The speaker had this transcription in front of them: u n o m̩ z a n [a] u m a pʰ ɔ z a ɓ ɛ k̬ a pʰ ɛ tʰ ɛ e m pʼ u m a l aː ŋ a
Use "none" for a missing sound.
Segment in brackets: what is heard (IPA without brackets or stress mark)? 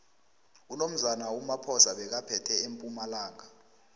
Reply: a